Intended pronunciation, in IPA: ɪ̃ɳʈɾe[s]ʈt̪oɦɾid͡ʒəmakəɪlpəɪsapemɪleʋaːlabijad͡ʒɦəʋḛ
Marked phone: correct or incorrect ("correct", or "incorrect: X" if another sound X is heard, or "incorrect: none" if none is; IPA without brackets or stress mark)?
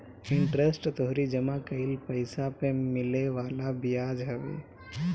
correct